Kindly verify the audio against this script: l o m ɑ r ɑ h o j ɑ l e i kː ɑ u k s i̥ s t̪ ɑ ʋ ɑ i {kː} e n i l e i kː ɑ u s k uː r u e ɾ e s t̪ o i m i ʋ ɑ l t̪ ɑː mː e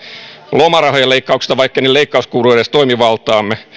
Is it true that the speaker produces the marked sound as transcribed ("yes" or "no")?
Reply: yes